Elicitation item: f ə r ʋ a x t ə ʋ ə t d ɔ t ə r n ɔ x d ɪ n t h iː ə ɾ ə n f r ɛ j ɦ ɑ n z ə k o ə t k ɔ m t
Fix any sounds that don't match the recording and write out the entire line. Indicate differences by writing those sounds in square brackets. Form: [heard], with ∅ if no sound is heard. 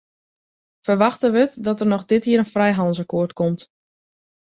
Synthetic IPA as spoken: f ə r ʋ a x t ə ʋ ə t d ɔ t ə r n ɔ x d ɪ [∅] t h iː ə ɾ ə n f r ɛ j ɦ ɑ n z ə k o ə t k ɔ m t